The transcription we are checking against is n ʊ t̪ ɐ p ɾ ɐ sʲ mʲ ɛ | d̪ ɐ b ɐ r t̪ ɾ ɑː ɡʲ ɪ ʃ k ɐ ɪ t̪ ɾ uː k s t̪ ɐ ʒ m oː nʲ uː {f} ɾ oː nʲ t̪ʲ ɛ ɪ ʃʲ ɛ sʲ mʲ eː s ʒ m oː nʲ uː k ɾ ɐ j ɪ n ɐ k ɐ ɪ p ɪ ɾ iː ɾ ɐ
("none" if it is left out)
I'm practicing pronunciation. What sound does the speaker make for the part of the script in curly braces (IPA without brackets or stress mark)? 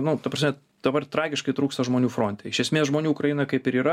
f